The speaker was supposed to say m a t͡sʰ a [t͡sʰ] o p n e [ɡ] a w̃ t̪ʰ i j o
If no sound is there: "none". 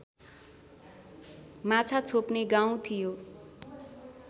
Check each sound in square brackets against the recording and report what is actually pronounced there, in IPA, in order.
t͡sʰ, ɡ

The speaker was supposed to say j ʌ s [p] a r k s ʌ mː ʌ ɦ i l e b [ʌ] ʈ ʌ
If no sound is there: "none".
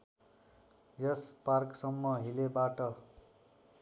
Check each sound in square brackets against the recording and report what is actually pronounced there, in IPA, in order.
p, a

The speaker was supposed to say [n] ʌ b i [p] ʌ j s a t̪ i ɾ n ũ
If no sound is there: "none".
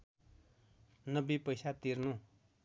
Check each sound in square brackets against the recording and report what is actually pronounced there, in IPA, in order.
n, p

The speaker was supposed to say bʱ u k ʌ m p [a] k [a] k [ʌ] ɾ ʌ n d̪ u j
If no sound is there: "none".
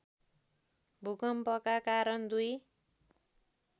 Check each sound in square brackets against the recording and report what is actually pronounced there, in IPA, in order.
ʌ, a, a

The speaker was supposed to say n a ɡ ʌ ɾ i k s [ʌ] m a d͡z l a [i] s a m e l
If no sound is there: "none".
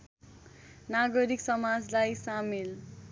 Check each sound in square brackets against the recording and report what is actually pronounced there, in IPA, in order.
ʌ, j

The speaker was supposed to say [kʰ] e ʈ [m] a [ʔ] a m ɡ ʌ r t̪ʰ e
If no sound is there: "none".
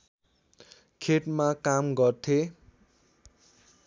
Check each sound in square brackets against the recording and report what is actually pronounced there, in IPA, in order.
kʰ, m, k

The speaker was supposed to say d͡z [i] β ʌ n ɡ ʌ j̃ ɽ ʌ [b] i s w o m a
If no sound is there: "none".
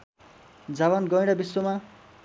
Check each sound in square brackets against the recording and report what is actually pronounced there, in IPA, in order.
a, b

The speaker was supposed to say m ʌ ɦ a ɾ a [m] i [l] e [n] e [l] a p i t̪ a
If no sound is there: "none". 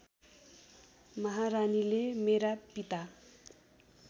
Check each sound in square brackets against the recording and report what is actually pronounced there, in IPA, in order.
n, l, m, ɾ

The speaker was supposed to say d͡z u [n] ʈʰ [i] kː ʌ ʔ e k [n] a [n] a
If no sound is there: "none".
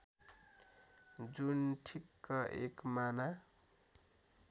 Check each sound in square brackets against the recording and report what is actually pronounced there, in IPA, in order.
n, i, m, n

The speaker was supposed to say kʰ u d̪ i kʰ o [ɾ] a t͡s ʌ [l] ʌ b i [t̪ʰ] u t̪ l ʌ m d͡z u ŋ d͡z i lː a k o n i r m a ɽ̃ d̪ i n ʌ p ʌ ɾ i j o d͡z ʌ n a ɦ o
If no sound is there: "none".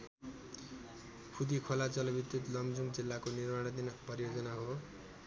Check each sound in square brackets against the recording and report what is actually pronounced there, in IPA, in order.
l, l, t̪

